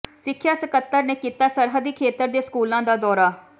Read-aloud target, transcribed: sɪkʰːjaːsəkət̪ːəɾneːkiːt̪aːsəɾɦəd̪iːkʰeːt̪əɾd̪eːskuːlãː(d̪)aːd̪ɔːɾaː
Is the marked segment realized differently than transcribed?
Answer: no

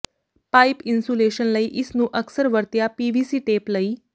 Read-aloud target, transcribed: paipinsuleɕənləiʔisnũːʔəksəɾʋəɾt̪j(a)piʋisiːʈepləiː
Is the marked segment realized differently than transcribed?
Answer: no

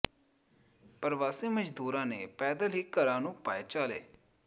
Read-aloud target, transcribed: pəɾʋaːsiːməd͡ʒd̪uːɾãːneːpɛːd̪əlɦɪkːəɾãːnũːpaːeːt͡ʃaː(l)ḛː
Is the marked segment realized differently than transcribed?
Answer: no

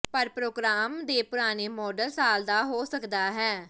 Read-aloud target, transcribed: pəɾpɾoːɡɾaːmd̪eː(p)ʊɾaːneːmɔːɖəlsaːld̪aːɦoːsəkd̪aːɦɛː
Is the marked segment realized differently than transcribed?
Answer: no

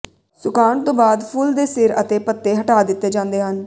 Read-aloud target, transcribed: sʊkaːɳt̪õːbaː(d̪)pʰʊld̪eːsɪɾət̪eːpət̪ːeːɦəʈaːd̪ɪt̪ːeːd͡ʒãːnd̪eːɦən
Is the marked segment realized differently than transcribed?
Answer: no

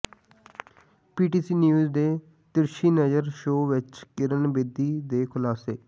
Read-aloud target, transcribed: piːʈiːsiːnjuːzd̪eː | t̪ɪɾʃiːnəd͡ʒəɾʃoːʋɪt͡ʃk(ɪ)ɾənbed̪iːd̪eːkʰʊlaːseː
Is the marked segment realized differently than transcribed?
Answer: no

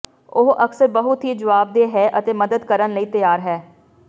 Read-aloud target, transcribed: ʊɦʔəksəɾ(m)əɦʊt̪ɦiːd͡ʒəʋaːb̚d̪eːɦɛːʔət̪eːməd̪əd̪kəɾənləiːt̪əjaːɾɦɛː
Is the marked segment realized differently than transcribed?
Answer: yes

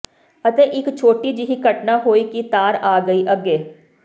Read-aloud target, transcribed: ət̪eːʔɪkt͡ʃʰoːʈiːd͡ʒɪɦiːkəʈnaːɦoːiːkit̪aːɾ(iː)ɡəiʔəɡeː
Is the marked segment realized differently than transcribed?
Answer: yes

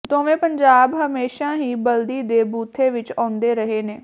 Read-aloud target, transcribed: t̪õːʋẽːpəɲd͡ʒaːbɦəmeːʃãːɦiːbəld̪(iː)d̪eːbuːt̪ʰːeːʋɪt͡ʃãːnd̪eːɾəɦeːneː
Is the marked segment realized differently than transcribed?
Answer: no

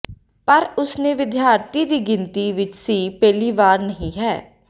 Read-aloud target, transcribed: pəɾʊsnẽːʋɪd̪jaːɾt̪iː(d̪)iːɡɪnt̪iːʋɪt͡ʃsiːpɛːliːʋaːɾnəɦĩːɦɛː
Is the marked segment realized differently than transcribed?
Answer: no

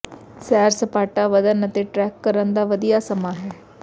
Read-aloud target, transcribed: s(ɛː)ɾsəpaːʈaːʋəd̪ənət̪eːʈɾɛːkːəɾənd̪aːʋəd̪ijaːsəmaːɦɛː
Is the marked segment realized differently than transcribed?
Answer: no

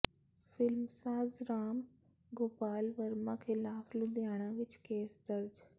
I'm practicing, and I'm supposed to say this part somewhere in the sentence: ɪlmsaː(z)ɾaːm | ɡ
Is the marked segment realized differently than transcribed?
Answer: no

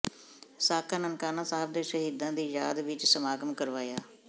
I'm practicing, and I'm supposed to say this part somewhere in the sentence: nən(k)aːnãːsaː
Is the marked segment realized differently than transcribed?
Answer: no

